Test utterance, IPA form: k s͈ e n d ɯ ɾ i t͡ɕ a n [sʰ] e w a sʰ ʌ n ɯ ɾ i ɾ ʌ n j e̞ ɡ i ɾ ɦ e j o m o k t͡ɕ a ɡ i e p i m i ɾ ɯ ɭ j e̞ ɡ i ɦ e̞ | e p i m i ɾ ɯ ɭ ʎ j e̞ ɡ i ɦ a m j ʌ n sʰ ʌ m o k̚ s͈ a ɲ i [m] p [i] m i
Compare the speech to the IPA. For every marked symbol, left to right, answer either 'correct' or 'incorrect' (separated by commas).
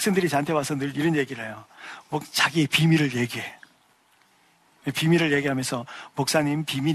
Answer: incorrect, correct, correct